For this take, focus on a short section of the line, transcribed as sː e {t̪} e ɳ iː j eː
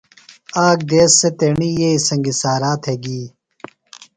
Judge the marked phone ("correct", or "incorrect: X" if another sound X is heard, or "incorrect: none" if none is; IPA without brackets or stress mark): correct